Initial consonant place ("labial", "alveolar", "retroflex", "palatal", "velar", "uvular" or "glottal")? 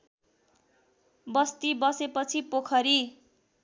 labial